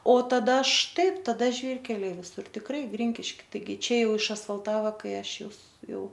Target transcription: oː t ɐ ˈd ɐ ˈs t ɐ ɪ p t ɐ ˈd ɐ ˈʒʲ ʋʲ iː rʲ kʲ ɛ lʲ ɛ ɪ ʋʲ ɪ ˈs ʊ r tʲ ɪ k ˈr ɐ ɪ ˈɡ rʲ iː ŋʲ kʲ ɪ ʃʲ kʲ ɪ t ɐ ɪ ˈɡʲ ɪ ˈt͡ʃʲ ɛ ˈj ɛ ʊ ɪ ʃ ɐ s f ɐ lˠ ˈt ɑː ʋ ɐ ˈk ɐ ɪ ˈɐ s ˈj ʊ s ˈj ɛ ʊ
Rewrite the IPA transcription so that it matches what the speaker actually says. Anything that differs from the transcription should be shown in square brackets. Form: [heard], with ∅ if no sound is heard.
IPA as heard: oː t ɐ ˈd ɐ [ˈʃ] t ɐ ɪ p t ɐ ˈd ɐ ˈʒʲ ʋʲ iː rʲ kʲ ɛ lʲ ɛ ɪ ʋʲ ɪ ˈs ʊ r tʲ ɪ k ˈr ɐ ɪ ˈɡ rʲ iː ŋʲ kʲ ɪ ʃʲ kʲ ɪ t ɐ ɪ ˈɡʲ ɪ ˈt͡ʃʲ ɛ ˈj ɛ ʊ ɪ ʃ ɐ s f ɐ lˠ ˈt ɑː ʋ ɐ ˈk ɐ ɪ ˈɐ [ʃ] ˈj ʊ s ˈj ɛ ʊ